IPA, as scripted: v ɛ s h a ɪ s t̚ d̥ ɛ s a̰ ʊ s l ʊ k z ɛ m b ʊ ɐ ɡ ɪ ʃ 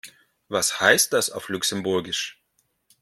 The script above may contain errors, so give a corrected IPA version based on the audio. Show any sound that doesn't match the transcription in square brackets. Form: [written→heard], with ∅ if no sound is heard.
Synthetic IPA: v [ɛ→a] s h a ɪ s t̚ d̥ [ɛ→a] s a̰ ʊ [s→f] l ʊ k [z→s] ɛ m b ʊ ɐ ɡ ɪ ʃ